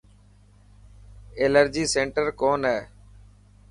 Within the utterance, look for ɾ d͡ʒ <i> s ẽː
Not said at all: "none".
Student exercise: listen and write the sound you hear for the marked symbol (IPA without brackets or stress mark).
iː